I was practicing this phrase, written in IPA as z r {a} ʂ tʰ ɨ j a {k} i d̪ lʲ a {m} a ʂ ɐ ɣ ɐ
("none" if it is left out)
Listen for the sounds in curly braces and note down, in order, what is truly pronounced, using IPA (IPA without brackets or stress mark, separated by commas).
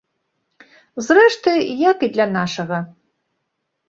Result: ɛ, k, n